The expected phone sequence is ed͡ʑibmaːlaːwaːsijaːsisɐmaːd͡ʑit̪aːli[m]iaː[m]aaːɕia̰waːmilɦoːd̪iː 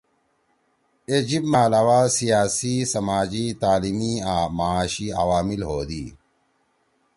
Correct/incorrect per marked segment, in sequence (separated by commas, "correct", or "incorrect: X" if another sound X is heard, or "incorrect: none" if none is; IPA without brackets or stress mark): correct, correct